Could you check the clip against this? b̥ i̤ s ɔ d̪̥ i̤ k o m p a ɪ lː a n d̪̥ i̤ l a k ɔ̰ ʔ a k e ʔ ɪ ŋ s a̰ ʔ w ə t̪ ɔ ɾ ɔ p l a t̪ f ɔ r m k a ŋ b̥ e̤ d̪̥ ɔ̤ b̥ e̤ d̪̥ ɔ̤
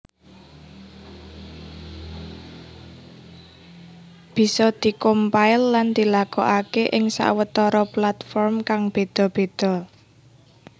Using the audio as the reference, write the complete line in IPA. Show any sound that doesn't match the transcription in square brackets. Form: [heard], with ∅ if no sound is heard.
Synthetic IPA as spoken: b̥ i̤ s ɔ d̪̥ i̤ k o m p a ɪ lː a n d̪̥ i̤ l a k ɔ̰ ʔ a k e ʔ ɪ ŋ s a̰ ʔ w ə t̪ ɔ ɾ ɔ p l a t̪ f ɔ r m k a ŋ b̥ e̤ d̪̥ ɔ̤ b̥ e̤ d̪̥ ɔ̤